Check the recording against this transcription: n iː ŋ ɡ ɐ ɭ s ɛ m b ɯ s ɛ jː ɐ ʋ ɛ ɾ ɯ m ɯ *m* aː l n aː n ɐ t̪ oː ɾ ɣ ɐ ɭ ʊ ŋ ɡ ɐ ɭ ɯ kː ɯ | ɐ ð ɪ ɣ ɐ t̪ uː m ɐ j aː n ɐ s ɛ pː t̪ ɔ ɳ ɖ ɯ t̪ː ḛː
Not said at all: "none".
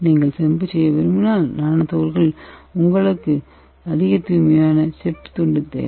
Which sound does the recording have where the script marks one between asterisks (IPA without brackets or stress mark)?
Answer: n